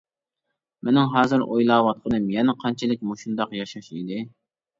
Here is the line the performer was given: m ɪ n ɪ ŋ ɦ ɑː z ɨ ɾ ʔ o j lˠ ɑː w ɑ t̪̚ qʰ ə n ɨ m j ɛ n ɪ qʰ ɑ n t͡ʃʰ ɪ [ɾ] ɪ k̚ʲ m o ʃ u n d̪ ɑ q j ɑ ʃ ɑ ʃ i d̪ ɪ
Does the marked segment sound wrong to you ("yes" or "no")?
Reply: yes